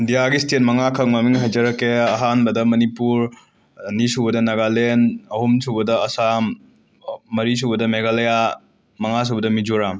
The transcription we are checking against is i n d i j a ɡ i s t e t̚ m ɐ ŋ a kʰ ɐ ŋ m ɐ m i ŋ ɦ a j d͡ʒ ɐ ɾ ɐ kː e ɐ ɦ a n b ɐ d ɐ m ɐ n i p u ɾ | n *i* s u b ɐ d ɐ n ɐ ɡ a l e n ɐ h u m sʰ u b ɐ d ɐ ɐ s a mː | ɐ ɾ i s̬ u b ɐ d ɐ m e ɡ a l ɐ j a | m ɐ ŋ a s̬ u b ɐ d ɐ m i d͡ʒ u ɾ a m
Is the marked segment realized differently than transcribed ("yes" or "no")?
no